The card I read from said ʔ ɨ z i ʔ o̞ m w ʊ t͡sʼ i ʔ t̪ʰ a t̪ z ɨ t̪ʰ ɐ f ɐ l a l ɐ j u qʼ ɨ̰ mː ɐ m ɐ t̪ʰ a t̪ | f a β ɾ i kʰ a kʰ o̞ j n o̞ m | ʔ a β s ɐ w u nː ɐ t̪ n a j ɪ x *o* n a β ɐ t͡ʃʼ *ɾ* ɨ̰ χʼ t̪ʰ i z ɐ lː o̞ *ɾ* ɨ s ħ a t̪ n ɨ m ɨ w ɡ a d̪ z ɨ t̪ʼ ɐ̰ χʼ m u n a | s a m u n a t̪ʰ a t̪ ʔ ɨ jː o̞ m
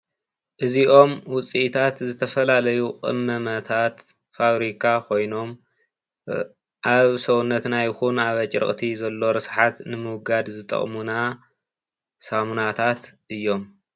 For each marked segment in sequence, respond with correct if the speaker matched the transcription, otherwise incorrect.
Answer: incorrect: u, correct, correct

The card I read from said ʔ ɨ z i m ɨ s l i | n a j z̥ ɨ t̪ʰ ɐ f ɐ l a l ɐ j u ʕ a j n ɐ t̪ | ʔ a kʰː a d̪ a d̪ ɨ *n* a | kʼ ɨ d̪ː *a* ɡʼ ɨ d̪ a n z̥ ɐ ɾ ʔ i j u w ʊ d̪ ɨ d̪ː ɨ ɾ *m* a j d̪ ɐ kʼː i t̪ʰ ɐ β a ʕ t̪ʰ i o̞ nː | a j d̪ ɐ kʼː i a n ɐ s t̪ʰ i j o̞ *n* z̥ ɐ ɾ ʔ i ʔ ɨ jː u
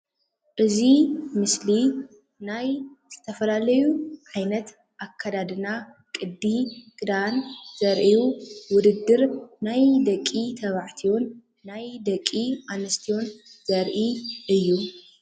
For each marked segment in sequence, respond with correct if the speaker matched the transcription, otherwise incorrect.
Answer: correct, incorrect: i, incorrect: n, correct

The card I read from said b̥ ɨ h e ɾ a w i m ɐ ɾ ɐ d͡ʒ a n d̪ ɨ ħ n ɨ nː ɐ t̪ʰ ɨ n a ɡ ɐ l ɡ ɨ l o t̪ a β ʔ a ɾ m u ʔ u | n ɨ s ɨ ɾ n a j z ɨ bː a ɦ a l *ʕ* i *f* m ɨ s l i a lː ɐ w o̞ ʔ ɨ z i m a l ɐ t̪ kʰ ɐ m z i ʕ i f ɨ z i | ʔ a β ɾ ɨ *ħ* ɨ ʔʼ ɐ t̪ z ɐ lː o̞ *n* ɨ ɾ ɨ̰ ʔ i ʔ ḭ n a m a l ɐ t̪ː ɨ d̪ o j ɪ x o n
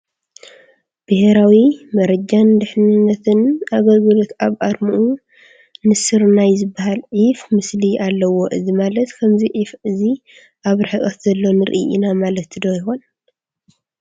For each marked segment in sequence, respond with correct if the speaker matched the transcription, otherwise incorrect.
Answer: correct, correct, correct, correct

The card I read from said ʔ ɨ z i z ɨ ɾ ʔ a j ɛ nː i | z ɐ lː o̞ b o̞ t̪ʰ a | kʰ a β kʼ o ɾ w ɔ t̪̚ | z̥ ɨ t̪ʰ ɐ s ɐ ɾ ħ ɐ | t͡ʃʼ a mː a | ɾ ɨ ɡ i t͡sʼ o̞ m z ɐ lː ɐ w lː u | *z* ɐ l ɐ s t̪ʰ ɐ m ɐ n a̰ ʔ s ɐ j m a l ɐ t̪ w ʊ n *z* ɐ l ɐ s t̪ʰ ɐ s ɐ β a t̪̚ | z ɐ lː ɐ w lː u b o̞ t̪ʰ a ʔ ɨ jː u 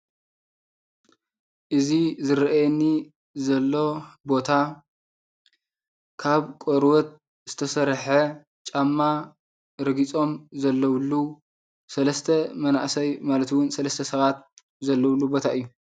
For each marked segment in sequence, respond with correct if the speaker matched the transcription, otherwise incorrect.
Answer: incorrect: s, incorrect: s

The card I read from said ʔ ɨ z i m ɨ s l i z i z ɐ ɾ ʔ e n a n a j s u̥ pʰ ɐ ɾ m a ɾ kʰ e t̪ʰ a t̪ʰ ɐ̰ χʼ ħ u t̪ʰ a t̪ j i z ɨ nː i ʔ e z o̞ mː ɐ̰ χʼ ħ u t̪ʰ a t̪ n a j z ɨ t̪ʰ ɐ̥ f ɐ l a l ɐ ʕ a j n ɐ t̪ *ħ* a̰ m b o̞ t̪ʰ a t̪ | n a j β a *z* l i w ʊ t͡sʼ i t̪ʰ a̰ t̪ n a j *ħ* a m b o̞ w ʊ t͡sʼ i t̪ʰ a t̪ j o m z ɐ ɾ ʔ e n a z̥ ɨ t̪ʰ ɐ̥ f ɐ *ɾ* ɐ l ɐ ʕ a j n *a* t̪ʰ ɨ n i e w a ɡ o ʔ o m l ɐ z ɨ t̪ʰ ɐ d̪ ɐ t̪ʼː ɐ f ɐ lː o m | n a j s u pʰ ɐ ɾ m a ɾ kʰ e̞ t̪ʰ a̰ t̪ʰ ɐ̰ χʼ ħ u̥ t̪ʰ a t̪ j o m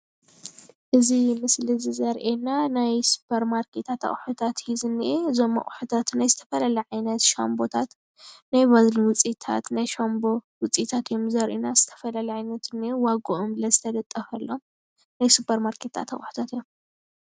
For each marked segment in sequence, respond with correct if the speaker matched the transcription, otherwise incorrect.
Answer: incorrect: ʃ, correct, incorrect: ʃ, incorrect: l, incorrect: ɐ

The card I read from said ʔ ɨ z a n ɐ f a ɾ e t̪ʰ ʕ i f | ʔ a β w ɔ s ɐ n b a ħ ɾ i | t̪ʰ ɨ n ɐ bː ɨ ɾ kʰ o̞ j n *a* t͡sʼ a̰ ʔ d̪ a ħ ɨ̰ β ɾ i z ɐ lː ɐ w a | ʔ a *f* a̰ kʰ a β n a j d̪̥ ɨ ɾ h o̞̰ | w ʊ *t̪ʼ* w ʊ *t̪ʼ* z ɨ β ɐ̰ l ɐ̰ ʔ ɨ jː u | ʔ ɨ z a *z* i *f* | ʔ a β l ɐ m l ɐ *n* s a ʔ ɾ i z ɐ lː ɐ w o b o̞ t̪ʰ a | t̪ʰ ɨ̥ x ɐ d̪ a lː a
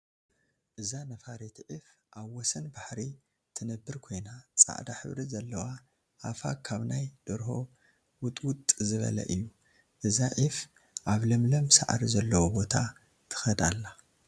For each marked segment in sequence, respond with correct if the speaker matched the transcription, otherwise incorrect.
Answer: correct, correct, correct, correct, incorrect: ʕ, correct, incorrect: m

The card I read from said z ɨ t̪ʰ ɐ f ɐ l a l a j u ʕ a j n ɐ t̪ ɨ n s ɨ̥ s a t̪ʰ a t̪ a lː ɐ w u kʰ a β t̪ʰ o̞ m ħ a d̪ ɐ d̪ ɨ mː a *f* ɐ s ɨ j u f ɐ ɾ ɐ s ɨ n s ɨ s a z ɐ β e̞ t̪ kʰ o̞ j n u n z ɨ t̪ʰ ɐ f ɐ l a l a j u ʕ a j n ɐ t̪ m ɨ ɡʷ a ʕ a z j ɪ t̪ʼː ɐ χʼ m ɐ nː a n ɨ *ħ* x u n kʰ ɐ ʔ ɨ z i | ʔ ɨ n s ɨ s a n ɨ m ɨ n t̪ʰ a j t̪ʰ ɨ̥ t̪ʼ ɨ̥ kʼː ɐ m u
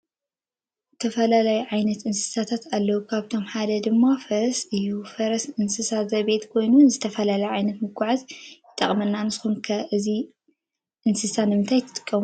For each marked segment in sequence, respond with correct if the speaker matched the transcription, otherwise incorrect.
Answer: correct, incorrect: s

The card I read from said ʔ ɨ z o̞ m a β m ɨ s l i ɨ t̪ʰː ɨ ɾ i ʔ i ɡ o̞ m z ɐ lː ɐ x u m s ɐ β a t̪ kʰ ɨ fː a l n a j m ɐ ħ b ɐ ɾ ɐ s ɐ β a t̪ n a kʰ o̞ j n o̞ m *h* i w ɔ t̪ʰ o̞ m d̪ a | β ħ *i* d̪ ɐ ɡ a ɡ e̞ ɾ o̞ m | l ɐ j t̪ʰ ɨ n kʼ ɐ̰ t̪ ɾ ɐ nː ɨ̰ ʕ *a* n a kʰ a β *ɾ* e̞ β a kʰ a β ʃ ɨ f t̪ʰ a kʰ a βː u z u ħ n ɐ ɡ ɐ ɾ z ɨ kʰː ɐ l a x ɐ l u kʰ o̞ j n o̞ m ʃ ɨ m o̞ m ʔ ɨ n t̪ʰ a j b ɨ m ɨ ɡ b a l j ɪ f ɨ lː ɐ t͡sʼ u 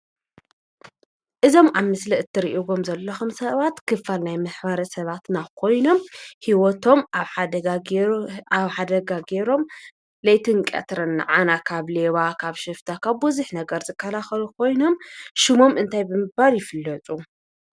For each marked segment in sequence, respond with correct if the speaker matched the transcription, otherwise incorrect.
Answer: correct, incorrect: a, correct, incorrect: l

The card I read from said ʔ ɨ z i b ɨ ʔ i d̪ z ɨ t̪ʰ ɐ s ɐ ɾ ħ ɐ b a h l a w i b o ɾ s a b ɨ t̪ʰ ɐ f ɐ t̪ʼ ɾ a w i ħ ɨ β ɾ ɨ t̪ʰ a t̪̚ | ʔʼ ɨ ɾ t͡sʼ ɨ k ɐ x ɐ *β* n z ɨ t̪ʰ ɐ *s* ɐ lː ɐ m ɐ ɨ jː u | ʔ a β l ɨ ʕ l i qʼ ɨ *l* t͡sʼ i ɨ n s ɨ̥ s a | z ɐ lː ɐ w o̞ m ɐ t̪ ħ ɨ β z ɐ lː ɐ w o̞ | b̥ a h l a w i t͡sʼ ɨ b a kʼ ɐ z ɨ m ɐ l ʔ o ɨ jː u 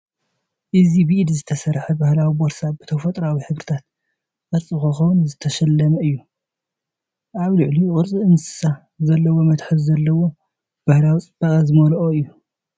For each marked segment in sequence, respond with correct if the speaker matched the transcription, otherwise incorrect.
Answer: incorrect: w, incorrect: ʃ, incorrect: ɾ

